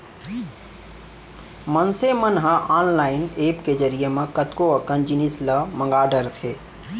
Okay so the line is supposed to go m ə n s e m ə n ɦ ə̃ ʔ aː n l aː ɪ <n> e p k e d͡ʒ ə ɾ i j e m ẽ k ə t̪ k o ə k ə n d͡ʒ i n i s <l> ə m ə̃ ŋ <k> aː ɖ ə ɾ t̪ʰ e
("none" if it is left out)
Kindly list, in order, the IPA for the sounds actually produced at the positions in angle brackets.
n, l, ɡ

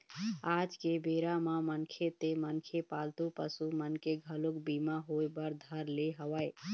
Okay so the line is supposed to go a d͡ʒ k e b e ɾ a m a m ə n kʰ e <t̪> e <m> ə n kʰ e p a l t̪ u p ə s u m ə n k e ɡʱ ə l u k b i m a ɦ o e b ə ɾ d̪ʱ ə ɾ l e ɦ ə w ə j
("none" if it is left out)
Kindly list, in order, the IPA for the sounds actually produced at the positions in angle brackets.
t̪, m

